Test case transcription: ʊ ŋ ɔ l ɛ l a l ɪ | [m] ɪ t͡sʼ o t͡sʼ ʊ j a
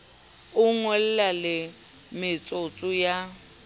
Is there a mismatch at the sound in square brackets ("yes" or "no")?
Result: no